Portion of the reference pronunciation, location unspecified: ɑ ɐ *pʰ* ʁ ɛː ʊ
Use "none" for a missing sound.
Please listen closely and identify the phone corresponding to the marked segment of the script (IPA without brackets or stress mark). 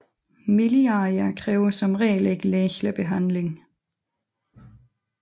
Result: kʰ